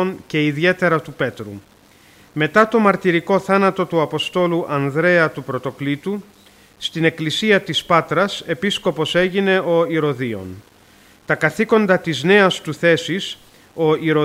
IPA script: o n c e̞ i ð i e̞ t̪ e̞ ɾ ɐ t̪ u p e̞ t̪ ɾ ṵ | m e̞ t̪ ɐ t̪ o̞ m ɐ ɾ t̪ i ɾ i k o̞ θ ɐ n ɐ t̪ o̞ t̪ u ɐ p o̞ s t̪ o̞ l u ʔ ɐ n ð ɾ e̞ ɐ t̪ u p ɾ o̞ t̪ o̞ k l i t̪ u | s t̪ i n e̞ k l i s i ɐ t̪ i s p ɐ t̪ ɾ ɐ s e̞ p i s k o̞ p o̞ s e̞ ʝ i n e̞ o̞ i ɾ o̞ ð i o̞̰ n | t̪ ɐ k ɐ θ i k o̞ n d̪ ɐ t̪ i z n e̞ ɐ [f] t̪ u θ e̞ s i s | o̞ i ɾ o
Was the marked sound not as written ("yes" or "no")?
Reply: yes